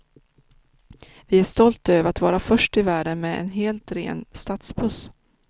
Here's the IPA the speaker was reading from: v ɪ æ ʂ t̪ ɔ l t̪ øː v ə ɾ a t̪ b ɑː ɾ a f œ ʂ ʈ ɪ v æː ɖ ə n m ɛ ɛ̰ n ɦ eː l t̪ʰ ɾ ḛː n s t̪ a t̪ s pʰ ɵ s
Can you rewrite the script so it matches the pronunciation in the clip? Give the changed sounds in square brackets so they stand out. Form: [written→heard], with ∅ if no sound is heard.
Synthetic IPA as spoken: v ɪ æ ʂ t̪ ɔ l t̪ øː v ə ɾ a t̪ [b→v] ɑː ɾ a f œ ʂ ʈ ɪ v æː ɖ ə n m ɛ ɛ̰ n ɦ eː l [t̪ʰ→t̪] ɾ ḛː n s t̪ a t̪ s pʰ ɵ s

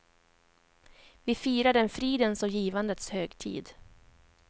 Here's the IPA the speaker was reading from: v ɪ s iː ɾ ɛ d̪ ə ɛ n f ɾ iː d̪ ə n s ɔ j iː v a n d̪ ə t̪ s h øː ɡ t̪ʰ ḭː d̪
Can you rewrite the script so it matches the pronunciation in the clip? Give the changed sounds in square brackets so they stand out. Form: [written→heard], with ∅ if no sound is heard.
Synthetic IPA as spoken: v ɪ [s→f] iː ɾ [ɛ→a] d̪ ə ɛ n f ɾ iː d̪ ə n s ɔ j iː v a n d̪ ə t̪ s h øː ɡ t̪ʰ ḭː d̪

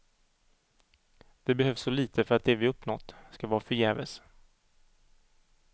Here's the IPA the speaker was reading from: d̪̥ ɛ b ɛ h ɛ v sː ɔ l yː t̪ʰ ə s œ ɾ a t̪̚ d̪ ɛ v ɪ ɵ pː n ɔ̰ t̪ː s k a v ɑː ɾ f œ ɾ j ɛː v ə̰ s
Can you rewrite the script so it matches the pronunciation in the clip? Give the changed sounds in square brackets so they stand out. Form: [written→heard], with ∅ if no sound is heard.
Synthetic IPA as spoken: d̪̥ ɛ b ɛ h [ɛ→œ] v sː ɔ l [yː→iː] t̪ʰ ə [s→f] œ ɾ a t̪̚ d̪ ɛ v ɪ ɵ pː n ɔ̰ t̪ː s k a v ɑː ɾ f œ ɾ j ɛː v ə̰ s

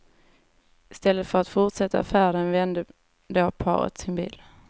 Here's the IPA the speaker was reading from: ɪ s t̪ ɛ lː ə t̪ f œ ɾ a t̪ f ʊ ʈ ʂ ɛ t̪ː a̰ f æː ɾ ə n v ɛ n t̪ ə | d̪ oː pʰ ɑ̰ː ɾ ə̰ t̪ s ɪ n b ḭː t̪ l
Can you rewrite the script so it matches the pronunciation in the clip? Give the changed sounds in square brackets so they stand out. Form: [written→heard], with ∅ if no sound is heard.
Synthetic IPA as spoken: ɪ s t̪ ɛ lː ə t̪ f œ ɾ a t̪ f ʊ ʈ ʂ ɛ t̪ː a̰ f æː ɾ ə n v ɛ n [t̪→d̪] ə | d̪ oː pʰ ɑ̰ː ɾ ə̰ t̪ s ɪ n b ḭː [t̪→∅] l

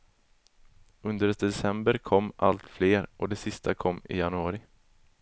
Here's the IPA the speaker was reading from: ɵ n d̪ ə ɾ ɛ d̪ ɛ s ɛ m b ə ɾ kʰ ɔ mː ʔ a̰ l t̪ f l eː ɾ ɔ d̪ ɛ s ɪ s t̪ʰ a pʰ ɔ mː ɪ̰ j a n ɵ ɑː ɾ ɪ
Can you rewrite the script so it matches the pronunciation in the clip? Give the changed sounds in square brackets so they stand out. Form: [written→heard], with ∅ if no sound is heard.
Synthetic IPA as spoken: ɵ n d̪ ə ɾ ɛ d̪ ɛ s ɛ m b ə ɾ kʰ ɔ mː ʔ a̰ l t̪ f l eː ɾ ɔ d̪ ɛ s ɪ s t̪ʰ a [pʰ→kʰ] ɔ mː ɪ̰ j a n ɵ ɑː ɾ ɪ

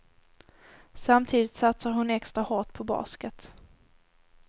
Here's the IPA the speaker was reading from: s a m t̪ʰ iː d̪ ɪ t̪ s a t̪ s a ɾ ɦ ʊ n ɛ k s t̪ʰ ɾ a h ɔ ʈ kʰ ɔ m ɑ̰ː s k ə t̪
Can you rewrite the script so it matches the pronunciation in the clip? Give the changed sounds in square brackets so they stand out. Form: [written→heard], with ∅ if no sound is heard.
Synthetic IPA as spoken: s a m t̪ʰ iː d̪ ɪ t̪ s a t̪ s a ɾ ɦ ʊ n ɛ k s [t̪ʰ→t̪] ɾ a h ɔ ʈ [kʰ→pʰ] ɔ [m→b] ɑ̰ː s k ə t̪

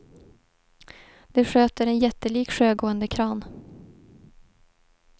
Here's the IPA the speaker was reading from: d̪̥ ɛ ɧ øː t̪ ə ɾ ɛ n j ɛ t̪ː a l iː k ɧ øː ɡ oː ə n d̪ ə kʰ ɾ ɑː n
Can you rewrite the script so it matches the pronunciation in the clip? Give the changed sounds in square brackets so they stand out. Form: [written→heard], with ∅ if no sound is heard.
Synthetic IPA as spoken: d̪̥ ɛ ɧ øː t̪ ə ɾ ɛ n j ɛ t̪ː [a→ə] l iː k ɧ øː ɡ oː ə n d̪ ə kʰ ɾ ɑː n

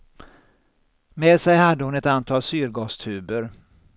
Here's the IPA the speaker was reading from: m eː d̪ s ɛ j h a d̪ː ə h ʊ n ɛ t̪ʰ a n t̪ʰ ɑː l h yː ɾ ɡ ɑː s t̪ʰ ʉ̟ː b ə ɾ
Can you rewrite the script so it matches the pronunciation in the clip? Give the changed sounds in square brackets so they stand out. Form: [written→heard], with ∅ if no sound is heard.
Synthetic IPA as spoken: m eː d̪ s ɛ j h a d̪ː ə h ʊ n ɛ [t̪ʰ→t̪] a n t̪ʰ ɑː l [h→s] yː ɾ ɡ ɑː s t̪ʰ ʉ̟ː b ə ɾ

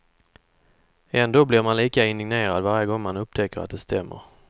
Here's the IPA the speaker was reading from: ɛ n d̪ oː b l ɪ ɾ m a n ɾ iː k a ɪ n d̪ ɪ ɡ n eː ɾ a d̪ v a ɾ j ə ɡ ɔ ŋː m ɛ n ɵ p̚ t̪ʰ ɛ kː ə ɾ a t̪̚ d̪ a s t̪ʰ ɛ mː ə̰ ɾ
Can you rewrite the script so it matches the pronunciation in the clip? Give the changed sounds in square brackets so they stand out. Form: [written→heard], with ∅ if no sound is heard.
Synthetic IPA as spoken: ɛ n d̪ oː b l ɪ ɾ m a n [ɾ→l] iː k a ɪ n d̪ ɪ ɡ n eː ɾ a d̪ v a ɾ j ə ɡ ɔ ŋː m [ɛ→a] n ɵ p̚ t̪ʰ ɛ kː ə ɾ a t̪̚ d̪ [a→ɛ] s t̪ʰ ɛ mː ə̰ ɾ

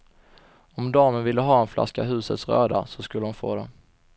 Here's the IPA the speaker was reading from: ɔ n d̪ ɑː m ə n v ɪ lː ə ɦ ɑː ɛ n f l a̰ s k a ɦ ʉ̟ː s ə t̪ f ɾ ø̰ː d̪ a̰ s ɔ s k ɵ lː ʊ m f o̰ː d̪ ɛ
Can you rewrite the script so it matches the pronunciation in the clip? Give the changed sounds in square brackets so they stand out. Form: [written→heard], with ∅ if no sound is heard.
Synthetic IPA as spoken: ɔ [n→m] d̪ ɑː m ə n v ɪ lː ə ɦ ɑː ɛ n f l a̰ s k a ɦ ʉ̟ː s ə t̪ [f→s] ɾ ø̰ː d̪ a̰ s ɔ s k ɵ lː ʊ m f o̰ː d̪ ɛ

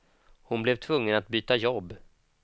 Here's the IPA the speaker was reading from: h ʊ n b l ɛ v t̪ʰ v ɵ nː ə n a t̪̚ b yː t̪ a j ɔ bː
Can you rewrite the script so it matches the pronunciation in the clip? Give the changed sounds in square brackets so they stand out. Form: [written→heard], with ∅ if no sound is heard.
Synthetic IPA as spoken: h ʊ n b l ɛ v t̪ʰ v ɵ [nː→ŋː] ə n a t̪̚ b yː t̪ a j ɔ bː

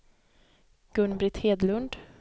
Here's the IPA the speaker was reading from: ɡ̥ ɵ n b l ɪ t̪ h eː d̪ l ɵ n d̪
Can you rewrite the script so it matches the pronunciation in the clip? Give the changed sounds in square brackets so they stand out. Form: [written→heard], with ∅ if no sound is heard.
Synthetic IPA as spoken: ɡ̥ ɵ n b [l→ɾ] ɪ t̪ h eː d̪ l ɵ n d̪

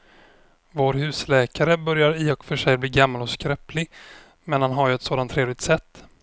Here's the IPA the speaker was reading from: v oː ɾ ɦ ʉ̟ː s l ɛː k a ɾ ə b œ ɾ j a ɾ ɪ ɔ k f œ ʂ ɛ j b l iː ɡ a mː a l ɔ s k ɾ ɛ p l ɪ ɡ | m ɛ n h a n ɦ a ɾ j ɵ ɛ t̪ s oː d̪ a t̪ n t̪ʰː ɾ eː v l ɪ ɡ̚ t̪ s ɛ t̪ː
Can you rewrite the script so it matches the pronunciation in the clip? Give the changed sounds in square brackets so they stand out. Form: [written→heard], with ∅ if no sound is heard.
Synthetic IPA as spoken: v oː ɾ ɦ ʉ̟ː s l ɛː k a ɾ ə b œ ɾ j a ɾ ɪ ɔ k f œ ʂ ɛ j b l iː ɡ a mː a l ɔ s k ɾ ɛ p l ɪ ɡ | m ɛ n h a n ɦ a ɾ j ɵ ɛ t̪ s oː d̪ a [t̪→∅] n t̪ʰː ɾ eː v l ɪ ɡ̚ t̪ s ɛ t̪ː

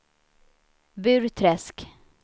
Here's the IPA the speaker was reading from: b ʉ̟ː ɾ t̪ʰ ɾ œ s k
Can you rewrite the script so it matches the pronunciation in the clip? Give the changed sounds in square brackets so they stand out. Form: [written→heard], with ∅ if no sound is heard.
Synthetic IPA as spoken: b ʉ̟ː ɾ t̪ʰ ɾ [œ→ɛ] s k

